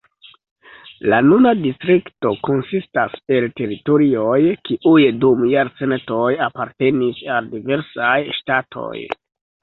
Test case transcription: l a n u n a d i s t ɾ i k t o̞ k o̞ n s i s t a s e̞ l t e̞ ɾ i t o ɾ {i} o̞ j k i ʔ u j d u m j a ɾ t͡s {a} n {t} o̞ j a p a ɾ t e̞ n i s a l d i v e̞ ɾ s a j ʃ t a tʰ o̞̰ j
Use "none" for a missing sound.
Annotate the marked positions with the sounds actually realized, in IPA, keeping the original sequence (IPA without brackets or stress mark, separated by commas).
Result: i, e, t